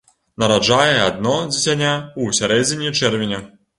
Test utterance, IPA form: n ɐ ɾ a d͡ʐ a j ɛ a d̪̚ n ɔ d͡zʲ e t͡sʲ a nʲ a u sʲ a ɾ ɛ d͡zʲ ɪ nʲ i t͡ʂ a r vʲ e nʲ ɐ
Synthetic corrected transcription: n ɐ ɾ a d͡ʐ a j ɛ a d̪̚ n ɔ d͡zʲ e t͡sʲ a nʲ a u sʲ a ɾ ɛ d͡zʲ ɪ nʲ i t͡ʂ ɛ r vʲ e nʲ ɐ